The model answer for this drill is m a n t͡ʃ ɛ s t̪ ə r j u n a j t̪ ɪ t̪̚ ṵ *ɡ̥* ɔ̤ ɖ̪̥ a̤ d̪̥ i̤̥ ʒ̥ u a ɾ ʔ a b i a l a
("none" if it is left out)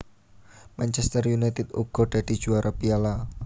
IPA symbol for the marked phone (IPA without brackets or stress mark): ɡ̥